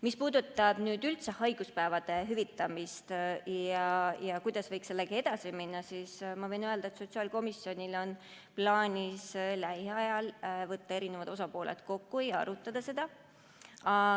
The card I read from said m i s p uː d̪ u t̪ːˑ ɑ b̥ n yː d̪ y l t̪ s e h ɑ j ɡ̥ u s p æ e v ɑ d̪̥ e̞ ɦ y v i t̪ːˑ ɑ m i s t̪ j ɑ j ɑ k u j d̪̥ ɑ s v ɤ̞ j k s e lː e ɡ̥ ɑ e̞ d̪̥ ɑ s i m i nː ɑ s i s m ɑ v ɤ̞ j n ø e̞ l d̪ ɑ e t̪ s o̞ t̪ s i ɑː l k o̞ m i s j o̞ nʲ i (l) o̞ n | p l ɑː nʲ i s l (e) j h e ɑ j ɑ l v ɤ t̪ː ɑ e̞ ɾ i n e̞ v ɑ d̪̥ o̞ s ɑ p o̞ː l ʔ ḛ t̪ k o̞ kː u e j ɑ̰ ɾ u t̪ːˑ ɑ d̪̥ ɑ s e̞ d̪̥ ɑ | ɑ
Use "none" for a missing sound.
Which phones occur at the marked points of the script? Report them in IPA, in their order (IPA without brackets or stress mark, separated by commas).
l, æ